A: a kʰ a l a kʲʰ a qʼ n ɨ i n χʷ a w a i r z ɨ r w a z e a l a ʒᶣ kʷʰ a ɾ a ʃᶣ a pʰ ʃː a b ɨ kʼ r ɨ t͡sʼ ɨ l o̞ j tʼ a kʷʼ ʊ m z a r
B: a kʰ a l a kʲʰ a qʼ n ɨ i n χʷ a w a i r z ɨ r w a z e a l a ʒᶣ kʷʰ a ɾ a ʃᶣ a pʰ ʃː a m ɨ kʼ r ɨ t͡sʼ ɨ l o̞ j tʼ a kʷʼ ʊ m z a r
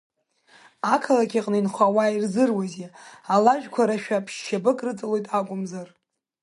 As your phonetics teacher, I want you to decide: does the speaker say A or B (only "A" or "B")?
A